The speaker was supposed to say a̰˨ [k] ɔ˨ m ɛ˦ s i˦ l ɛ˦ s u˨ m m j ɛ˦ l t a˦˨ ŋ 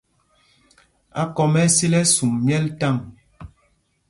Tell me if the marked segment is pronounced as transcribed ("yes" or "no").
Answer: yes